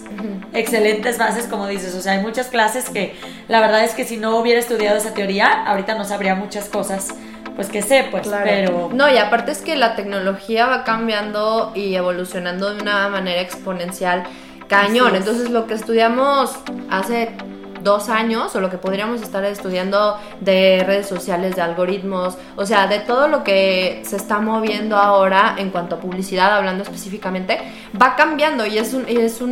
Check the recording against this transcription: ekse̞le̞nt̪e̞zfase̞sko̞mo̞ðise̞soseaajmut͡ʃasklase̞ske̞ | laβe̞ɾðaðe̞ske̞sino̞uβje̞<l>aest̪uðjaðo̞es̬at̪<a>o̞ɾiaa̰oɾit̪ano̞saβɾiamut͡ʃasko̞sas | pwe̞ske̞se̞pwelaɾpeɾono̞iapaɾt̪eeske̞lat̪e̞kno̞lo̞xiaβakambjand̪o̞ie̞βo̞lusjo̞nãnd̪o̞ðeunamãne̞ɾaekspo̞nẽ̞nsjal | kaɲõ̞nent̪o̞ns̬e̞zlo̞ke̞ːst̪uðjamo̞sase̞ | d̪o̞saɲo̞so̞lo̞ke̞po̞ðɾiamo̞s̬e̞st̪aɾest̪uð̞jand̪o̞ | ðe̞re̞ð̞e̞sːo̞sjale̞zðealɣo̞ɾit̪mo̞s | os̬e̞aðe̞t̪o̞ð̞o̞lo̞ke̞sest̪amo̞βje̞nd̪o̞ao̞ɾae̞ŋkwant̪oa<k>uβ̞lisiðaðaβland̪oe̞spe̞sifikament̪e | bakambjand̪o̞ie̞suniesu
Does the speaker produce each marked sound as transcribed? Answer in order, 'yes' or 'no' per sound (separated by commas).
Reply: no, no, no